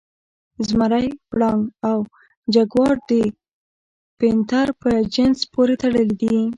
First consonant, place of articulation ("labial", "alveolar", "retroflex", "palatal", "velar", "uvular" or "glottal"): alveolar